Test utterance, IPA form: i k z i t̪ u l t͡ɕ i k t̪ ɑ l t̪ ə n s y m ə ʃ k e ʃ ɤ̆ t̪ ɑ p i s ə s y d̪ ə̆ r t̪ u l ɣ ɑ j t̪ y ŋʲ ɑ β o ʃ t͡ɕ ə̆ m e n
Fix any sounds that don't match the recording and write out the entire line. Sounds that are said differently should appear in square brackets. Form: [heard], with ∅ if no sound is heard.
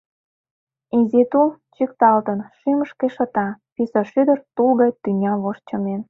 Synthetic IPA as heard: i [∅] z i t̪ u l t͡ɕ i k t̪ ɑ l t̪ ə n [ʃ] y m ə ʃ k e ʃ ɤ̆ t̪ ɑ p i s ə [ʃ] y d̪ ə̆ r t̪ u l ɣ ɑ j t̪ y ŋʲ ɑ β o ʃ t͡ɕ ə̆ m e n